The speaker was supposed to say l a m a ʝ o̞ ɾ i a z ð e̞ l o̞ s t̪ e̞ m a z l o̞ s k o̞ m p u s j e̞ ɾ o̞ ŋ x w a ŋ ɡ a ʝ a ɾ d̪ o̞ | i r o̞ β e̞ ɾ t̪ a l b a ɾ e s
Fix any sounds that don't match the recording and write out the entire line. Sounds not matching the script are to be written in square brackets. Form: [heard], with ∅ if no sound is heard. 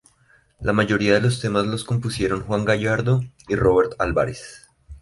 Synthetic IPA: l a m a ʝ o̞ ɾ i a [∅] ð e̞ l o̞ s t̪ e̞ m a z l o̞ s k o̞ m p u s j e̞ ɾ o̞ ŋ x w a ŋ ɡ a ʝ a ɾ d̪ o̞ | i r o̞ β e̞ ɾ t̪ a l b a ɾ e s